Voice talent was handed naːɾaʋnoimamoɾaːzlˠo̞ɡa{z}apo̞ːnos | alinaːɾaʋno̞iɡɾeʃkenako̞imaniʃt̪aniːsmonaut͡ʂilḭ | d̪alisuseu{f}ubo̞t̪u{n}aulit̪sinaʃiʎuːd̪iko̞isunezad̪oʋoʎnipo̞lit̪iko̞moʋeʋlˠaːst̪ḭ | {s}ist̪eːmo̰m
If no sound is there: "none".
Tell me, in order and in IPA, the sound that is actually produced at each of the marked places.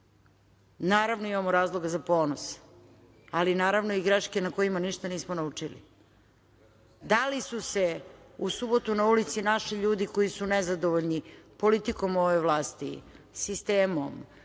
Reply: z, s, n, s

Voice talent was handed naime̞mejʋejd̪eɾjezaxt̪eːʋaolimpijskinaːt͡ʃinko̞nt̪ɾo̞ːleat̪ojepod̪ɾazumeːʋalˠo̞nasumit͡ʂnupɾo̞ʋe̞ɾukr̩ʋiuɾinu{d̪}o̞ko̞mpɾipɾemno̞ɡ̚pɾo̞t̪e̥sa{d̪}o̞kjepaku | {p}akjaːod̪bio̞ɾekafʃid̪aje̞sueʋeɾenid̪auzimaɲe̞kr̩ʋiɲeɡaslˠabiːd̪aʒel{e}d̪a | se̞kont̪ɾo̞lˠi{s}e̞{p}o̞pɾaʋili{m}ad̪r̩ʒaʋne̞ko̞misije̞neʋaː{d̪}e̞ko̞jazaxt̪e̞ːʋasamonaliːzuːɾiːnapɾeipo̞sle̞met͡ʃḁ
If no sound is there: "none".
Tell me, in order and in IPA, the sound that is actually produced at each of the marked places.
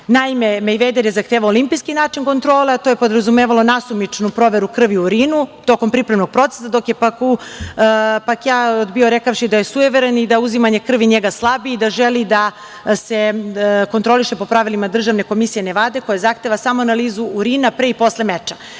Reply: t̪, d̪, p, i, ʃ, p, m, d̪

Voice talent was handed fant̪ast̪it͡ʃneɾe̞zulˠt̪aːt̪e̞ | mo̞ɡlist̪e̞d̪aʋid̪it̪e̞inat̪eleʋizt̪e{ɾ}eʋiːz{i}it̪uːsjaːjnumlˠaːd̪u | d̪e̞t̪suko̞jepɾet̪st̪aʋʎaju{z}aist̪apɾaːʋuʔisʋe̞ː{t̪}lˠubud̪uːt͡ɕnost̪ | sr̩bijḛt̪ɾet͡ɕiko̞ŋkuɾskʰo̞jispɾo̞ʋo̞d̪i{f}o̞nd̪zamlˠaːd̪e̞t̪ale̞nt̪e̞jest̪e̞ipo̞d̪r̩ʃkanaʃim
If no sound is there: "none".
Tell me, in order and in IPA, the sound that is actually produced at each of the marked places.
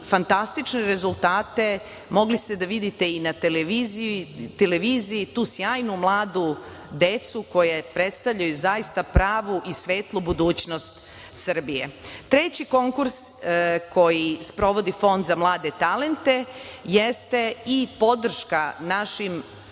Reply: l, i, z, t̪, f

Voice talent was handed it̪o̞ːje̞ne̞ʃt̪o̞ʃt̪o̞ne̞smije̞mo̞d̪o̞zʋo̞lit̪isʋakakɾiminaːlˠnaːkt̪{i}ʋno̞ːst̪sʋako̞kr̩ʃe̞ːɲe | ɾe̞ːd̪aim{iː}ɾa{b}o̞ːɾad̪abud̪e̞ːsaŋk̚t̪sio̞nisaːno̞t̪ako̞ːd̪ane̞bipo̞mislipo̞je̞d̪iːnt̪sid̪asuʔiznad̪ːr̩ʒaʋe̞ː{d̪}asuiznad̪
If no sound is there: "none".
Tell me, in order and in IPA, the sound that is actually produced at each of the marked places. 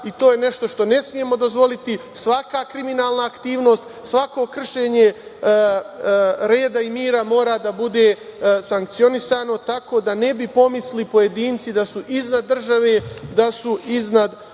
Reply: iː, iː, m, d̪

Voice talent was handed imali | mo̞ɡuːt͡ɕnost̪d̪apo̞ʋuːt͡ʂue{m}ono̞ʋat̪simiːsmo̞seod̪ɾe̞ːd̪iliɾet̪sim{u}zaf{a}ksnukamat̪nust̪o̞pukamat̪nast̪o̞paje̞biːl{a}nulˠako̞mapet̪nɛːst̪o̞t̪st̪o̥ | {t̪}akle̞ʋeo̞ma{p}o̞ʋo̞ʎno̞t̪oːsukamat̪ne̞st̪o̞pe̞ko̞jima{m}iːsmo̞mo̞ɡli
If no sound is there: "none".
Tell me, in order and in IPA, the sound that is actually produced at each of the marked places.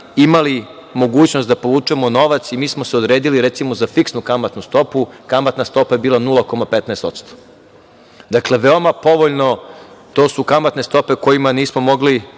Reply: m, o, i, a, d̪, p, n

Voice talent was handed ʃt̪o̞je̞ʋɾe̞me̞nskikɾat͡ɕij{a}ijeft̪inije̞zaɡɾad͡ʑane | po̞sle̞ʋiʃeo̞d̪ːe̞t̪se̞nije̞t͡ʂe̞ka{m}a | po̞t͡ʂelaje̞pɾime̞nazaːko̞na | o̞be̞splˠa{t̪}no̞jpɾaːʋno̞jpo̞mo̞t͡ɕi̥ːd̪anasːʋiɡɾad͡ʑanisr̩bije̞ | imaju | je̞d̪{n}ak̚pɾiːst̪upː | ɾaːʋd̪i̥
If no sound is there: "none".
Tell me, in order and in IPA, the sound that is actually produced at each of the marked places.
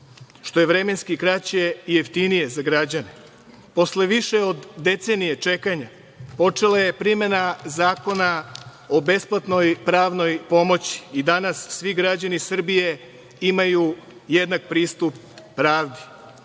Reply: e, ɲ, t̪, n

